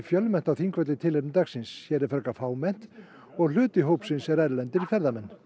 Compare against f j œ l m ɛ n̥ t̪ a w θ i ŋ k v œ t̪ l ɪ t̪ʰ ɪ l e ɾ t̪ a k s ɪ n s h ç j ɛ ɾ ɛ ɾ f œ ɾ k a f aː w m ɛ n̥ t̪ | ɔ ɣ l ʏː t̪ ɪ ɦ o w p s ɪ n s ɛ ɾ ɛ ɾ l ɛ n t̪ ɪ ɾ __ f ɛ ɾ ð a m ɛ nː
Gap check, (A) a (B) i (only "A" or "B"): B